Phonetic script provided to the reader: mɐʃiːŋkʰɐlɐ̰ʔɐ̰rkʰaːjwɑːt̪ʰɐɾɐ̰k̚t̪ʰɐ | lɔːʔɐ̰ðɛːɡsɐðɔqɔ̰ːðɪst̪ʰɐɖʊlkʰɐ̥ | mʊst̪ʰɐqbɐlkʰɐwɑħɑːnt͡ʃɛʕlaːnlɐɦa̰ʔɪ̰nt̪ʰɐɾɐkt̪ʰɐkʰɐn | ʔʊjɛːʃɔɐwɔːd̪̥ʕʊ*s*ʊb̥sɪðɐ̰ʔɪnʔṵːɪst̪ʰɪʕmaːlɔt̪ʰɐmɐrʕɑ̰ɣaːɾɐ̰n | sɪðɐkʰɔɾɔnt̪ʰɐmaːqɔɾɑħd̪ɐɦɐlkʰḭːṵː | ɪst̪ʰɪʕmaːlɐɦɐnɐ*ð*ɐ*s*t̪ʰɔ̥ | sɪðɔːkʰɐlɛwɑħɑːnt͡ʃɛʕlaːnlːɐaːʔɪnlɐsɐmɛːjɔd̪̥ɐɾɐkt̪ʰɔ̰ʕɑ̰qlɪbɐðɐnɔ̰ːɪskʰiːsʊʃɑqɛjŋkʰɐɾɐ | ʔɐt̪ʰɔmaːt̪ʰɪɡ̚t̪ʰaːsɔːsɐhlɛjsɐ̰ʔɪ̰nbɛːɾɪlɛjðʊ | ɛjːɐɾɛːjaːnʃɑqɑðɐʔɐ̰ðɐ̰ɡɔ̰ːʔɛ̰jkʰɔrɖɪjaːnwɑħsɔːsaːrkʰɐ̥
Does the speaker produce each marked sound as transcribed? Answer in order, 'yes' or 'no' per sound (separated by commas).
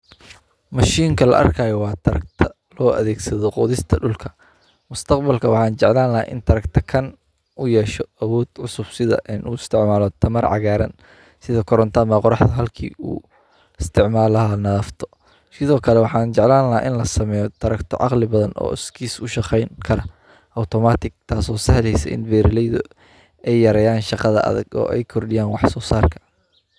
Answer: yes, yes, no